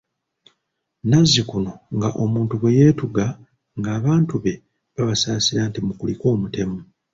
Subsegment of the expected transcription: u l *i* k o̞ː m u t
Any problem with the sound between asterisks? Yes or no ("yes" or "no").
no